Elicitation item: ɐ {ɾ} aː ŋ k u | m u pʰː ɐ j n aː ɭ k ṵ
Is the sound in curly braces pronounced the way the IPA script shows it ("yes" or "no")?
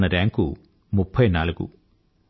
yes